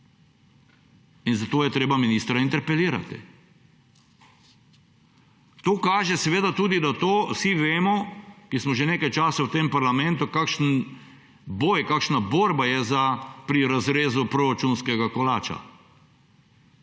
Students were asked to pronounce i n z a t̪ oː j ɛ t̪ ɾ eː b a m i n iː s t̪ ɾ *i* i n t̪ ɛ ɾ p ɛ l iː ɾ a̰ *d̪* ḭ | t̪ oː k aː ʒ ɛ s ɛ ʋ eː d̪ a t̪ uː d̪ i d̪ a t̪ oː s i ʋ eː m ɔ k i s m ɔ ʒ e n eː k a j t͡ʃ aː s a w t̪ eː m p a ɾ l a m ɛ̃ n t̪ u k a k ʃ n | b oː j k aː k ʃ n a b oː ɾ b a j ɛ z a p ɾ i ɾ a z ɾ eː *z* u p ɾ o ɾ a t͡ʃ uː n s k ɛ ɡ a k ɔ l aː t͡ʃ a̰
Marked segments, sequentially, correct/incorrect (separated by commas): incorrect, incorrect, correct